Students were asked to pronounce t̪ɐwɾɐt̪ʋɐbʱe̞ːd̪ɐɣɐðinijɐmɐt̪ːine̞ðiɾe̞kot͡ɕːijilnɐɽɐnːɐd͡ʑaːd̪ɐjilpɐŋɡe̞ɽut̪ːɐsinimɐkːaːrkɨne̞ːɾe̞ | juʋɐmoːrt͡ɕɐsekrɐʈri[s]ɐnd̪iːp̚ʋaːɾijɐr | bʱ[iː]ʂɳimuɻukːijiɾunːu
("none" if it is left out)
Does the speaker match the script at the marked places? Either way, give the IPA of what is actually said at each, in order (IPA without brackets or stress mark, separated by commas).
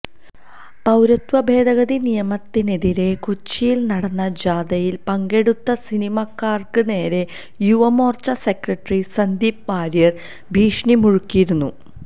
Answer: s, iː